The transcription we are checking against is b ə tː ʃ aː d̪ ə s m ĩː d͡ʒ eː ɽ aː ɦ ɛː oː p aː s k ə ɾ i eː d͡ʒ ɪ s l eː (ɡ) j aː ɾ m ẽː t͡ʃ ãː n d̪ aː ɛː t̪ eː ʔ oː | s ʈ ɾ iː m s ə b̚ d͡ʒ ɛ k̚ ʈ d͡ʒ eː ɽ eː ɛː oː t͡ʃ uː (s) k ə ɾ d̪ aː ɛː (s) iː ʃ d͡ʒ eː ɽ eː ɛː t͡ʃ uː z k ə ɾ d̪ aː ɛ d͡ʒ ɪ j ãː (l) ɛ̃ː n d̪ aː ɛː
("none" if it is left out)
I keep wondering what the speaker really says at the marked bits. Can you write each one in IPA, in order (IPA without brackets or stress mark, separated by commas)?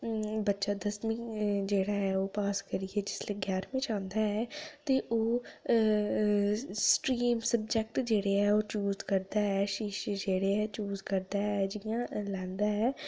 ɡ, z, ʃ, l